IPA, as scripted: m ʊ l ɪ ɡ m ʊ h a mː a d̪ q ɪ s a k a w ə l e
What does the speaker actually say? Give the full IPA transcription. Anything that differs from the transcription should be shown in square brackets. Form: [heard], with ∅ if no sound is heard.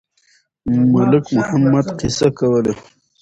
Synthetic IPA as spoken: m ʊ l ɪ [k] m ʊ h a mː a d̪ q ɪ s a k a w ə l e